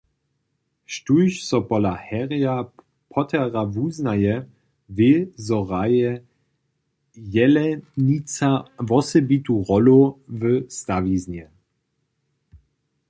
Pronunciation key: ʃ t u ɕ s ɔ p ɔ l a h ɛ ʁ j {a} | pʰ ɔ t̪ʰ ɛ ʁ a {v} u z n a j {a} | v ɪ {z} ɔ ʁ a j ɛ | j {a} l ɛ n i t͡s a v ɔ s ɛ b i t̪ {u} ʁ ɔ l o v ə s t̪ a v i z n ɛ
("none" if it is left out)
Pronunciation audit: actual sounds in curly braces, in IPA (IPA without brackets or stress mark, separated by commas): a, v, ɛ, z, ɛ, u